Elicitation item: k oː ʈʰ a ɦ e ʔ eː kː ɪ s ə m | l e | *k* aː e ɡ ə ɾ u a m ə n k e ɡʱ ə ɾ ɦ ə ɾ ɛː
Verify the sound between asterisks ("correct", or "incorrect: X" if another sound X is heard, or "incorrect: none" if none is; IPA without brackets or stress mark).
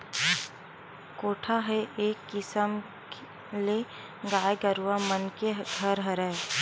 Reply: incorrect: ɡ